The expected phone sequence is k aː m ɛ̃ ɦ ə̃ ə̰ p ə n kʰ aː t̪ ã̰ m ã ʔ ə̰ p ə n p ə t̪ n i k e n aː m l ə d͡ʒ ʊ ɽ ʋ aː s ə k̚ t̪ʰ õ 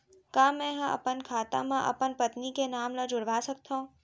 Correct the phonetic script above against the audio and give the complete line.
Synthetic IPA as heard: k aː m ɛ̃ ɦ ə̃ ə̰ p ə n kʰ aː t̪ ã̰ m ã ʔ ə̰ p ə n p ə t̪ n i k e n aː m l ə d͡ʒ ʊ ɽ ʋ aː s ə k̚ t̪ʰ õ